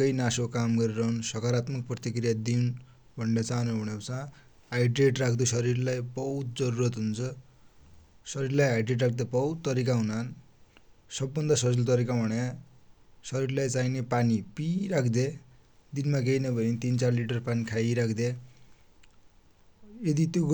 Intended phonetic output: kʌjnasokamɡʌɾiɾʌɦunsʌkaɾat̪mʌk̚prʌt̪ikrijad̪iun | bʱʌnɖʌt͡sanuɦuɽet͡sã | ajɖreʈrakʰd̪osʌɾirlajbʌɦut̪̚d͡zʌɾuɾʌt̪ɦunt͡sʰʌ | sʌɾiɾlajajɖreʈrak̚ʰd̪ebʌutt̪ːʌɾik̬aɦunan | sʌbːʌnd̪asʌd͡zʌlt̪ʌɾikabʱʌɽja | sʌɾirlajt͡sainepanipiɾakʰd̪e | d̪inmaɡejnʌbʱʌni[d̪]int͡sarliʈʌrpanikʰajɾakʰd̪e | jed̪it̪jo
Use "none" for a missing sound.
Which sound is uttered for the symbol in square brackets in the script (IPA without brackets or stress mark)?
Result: t̪